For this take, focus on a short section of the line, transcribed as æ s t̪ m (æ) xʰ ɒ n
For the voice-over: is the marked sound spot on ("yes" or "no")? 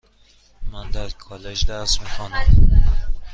no